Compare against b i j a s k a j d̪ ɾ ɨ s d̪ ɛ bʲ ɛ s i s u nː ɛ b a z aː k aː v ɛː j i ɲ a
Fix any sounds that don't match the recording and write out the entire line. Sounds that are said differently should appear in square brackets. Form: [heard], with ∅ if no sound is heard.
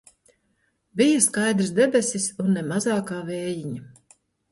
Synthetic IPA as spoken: b i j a s k a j d̪ ɾ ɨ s d̪ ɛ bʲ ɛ s i s u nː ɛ [m] a z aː k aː v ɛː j i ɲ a